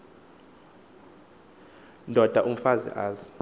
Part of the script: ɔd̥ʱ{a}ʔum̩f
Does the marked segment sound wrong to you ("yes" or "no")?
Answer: no